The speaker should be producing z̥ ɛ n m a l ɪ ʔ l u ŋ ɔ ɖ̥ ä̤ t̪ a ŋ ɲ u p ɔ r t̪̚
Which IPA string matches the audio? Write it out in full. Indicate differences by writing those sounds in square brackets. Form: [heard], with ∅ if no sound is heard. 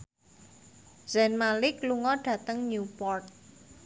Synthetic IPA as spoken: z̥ ɛ n m a l ɪ [k] l u ŋ ɔ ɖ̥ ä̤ t̪ [ə] ŋ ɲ u p ɔ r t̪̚